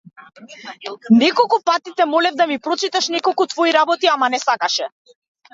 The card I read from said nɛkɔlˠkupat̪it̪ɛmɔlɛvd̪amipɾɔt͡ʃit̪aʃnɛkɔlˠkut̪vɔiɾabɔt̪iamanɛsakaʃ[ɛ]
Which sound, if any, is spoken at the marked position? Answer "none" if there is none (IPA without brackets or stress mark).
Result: ɛ